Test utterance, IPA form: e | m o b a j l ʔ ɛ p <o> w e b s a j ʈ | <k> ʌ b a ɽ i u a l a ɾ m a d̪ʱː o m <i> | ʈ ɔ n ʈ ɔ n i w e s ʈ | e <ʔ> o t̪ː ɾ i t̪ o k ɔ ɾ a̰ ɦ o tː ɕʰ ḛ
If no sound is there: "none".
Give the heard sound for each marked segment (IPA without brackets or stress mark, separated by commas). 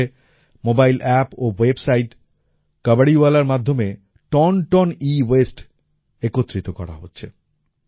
o, k, e, k